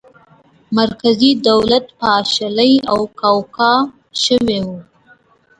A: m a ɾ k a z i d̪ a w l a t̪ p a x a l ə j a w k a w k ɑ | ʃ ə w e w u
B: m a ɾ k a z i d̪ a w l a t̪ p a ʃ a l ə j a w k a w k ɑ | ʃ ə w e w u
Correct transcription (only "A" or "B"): B